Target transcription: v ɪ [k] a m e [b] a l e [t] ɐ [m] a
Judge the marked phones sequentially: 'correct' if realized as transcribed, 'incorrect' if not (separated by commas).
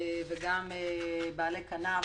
incorrect, correct, incorrect, incorrect